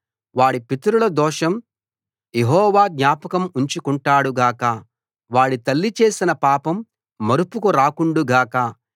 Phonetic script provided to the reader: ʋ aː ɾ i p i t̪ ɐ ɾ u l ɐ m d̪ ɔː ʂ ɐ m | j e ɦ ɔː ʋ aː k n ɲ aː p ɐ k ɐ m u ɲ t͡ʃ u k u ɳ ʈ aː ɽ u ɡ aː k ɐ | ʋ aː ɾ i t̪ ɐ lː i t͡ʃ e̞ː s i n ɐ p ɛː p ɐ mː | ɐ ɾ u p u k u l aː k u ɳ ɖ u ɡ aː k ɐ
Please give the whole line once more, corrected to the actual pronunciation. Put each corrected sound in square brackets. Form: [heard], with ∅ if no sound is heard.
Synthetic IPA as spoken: ʋ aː [ɽ] i p i t̪ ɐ ɾ u l ɐ [∅] d̪ ɔː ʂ ɐ m | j e ɦ ɔː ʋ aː [ɡ] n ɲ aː p ɐ k ɐ m u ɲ t͡ʃ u k u ɳ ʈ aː ɽ u ɡ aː k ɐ | ʋ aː [ɽ] i t̪ ɐ lː i t͡ʃ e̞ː s i n ɐ p [aː] p ɐ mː | ɐ ɾ u p u k u [ɾ] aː k u ɳ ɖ u ɡ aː k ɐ